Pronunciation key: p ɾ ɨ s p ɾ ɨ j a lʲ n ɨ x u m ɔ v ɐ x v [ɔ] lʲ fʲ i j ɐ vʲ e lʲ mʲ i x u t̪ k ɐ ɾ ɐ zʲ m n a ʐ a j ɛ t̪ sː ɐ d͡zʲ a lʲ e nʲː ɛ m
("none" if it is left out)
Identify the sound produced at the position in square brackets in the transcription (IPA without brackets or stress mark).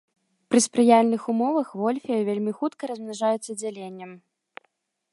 ɔ